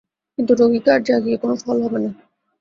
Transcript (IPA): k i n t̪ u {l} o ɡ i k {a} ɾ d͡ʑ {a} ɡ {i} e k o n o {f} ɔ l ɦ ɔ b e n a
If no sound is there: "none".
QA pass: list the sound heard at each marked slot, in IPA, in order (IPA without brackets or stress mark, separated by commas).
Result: ɾ, a, a, i, f